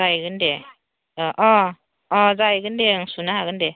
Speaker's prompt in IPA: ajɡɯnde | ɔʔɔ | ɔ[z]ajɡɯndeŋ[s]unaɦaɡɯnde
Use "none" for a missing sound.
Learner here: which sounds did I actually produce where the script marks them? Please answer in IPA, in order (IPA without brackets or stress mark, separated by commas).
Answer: z, s